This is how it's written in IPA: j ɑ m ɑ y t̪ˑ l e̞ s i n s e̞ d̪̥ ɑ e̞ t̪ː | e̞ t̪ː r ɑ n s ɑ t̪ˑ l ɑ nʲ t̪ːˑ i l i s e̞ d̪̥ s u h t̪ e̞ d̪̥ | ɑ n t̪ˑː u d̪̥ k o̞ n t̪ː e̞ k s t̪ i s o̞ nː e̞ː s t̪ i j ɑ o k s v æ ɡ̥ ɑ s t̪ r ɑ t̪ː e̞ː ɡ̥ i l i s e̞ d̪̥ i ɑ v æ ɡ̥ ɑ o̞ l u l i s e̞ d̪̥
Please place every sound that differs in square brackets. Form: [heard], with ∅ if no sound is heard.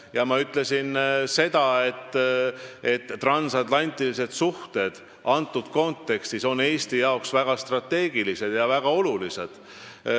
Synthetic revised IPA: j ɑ m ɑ y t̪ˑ l e̞ s i n s e̞ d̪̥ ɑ e̞ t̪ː | e̞ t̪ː r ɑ n s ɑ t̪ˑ l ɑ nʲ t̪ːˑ i l i s e̞ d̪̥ s u h t̪ e̞ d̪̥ | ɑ n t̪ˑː u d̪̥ k o̞ n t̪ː e̞ k s t̪ i s o̞ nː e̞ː s t̪ i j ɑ o k s v æ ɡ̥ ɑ s t̪ r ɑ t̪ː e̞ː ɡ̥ i l i s e̞ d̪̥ [j] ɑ v æ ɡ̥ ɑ o̞ l u l i s e̞ d̪̥

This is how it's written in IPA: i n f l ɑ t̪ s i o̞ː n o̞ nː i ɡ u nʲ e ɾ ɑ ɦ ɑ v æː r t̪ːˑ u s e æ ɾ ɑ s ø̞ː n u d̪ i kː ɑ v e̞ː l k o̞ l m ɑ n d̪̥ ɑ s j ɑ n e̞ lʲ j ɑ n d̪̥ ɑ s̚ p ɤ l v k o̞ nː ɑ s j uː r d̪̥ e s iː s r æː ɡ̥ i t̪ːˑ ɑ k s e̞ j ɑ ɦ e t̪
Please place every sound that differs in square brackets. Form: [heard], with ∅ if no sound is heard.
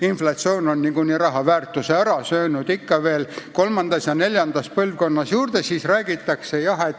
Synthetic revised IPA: i n f l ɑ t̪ s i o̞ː n o̞ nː i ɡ u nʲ [i] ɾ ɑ ɦ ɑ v æː r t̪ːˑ u s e æ ɾ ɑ s ø̞ː n u d̪ i kː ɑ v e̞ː l k o̞ l m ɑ n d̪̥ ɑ s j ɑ n e̞ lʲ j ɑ n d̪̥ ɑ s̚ p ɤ l v k o̞ nː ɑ s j uː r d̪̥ e s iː s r æː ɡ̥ i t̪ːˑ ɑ k s e̞ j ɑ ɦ e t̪

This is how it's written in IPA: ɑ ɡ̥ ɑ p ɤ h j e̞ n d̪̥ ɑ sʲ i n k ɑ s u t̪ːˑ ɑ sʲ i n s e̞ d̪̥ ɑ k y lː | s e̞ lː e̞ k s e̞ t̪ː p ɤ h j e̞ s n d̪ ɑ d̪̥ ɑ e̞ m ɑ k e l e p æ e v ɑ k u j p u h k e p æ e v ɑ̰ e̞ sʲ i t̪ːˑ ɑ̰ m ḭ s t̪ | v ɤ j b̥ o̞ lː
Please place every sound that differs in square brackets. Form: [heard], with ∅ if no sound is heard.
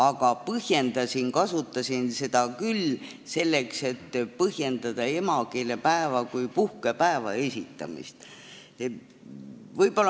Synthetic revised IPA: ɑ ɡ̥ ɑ p ɤ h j e̞ n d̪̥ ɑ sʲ i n k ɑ s u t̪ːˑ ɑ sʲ i n s e̞ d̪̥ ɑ k y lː | s e̞ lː e̞ k s e̞ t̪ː p ɤ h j e̞ [∅] n d̪ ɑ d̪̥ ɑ e̞ m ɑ k e l e p æ e v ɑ k u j p u h k e p æ e v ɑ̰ e̞ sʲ i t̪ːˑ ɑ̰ m ḭ s t̪ | v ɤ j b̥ o̞ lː

